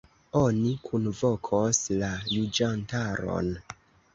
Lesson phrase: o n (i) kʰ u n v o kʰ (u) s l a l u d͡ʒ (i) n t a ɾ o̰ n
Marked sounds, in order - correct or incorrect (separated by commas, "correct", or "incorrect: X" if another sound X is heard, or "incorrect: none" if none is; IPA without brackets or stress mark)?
correct, incorrect: o, incorrect: a